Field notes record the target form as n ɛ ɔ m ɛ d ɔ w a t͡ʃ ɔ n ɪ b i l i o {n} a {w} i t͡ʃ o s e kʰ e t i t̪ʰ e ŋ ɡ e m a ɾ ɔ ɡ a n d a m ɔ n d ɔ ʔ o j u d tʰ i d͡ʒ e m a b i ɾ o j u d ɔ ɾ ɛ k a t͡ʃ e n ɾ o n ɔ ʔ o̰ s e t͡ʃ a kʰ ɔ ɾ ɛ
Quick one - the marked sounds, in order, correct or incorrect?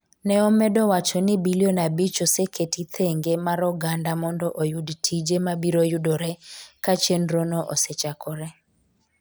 correct, incorrect: b

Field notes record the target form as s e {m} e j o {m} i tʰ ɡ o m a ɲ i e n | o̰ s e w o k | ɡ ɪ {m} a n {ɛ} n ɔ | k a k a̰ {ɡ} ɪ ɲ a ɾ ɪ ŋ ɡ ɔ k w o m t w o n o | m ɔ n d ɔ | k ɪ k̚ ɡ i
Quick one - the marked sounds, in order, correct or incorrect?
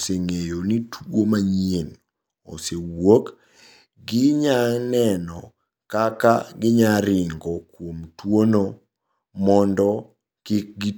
incorrect: ŋ, incorrect: n, incorrect: ɲ, correct, correct

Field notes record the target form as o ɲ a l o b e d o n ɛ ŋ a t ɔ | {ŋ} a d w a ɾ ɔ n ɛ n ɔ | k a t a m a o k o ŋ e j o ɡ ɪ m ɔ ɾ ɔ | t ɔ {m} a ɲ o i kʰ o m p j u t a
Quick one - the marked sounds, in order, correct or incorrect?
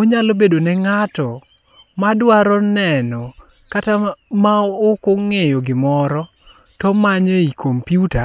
incorrect: m, correct

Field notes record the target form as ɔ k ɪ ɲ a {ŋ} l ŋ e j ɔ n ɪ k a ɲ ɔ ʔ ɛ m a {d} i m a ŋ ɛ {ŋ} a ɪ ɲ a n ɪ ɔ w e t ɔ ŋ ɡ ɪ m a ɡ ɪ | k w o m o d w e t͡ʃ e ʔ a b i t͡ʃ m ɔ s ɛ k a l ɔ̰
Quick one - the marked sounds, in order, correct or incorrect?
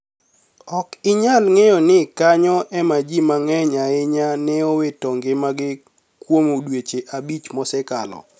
incorrect: none, incorrect: d͡ʒ, incorrect: ɲ

